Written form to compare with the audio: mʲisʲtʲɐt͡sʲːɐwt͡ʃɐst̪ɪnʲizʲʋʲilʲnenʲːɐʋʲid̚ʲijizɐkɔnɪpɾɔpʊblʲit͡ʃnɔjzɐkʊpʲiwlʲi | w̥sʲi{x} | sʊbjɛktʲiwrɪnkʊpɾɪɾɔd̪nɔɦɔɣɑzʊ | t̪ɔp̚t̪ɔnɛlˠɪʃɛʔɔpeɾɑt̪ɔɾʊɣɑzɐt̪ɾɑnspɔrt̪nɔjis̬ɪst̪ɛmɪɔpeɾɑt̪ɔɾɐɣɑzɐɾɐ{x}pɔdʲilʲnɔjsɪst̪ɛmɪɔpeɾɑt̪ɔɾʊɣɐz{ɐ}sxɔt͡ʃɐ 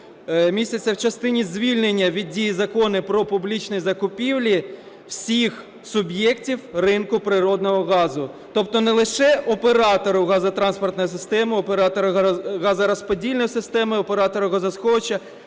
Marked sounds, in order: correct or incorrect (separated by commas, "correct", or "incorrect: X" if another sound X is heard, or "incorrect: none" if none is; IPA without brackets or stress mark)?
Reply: correct, incorrect: s, correct